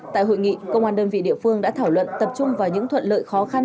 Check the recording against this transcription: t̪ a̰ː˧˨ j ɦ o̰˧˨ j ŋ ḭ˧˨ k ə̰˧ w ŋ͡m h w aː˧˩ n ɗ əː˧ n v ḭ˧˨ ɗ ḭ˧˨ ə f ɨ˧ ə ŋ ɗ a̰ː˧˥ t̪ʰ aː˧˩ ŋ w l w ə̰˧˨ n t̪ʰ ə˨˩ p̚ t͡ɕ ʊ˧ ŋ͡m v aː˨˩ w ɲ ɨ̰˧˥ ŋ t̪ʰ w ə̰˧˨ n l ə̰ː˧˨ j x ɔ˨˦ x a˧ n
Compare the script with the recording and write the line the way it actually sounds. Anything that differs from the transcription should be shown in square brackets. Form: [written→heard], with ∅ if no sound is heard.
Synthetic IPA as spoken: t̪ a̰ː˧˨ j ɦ o̰˧˨ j ŋ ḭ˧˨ k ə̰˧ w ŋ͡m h w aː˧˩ n ɗ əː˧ n v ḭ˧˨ ɗ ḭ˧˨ ə f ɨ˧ ə ŋ ɗ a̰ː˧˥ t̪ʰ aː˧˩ [ŋ→∅] w l w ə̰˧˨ n [t̪ʰ→t̪] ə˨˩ p̚ t͡ɕ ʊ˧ ŋ͡m v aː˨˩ w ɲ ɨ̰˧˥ ŋ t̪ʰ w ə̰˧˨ n l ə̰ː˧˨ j x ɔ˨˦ x a˧ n